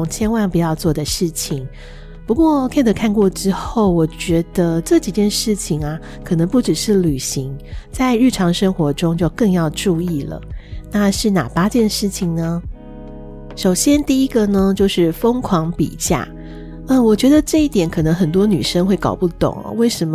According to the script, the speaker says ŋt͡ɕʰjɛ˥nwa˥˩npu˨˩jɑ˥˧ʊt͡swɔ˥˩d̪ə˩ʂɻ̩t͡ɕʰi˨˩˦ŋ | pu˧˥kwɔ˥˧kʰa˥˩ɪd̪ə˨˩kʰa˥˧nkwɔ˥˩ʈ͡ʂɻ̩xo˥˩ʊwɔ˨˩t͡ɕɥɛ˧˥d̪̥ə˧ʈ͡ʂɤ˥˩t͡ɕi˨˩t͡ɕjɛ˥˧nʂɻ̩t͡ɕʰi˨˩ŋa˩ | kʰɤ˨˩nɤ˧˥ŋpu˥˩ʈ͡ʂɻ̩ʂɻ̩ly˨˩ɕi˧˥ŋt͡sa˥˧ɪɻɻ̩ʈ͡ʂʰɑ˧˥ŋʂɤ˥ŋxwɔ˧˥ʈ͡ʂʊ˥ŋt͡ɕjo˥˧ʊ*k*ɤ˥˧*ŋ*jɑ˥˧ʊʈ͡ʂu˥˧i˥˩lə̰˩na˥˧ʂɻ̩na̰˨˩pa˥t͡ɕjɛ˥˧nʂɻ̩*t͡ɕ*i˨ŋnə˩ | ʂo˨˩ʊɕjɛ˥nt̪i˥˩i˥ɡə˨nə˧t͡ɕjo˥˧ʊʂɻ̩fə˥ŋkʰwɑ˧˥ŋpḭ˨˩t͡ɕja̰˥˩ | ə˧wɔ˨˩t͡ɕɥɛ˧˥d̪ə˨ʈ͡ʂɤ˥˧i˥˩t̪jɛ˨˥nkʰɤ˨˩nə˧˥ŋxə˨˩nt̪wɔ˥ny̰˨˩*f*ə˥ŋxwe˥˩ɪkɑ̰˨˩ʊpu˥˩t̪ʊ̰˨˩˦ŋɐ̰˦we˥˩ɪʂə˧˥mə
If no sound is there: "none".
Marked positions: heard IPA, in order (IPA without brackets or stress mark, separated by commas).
k, ŋ, t͡ɕʰ, ʂ